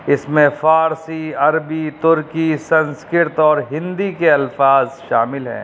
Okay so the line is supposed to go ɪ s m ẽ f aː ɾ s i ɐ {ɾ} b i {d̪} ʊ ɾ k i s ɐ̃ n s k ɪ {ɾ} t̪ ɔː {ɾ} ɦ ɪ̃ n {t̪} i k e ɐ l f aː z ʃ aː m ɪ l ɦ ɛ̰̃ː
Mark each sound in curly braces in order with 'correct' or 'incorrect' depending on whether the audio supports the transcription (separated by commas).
correct, incorrect, correct, correct, incorrect